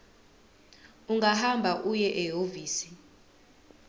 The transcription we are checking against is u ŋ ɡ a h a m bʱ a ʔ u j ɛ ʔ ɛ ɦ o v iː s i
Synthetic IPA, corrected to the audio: u ŋ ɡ a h a m bʱ a ʔ u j ɛ ʔ ɛ ɦ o v iː s i